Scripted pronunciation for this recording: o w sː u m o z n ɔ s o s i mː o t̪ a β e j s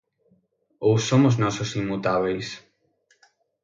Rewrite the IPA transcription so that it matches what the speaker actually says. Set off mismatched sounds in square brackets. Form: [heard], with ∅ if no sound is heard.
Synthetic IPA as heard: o w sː [o] m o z n ɔ s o s i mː [u] t̪ a β e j s